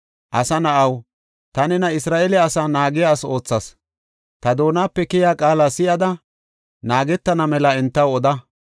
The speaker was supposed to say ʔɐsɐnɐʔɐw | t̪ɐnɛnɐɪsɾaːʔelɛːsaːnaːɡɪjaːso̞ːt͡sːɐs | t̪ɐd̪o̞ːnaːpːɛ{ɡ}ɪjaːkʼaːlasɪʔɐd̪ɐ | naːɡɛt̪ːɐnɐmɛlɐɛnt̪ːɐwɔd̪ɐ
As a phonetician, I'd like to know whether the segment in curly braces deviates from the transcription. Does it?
yes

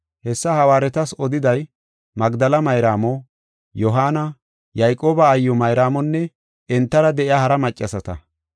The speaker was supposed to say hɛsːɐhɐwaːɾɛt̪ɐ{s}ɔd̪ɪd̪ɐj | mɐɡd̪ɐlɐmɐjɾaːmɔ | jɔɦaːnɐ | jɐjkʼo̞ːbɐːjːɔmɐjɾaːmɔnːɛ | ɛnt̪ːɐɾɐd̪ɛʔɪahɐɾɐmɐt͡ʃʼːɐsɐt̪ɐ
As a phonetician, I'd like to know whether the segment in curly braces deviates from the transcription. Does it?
no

